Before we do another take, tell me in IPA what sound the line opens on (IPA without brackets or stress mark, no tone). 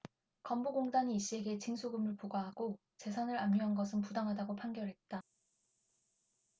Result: k